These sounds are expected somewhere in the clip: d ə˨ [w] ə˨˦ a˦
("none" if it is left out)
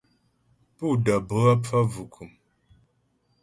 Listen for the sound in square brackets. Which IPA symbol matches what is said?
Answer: b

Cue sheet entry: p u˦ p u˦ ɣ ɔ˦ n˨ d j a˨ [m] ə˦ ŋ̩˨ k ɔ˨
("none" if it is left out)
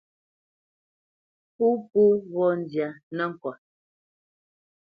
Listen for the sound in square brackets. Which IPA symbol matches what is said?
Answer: n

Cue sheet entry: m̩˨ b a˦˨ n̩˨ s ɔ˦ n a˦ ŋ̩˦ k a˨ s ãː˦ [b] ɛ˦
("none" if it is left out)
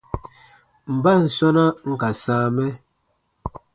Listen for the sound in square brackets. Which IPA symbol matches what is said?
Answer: m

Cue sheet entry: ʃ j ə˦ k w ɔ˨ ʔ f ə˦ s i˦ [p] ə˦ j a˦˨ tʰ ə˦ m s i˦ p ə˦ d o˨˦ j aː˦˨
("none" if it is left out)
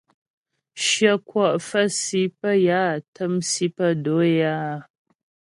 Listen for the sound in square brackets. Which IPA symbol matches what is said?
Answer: p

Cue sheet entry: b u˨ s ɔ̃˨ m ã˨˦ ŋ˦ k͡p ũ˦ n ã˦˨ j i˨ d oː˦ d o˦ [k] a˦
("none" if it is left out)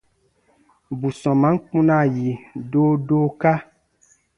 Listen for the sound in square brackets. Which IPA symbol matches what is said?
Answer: k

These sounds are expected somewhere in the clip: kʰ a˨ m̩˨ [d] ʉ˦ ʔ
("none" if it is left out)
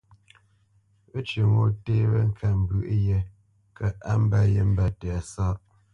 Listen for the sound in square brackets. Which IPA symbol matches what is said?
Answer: b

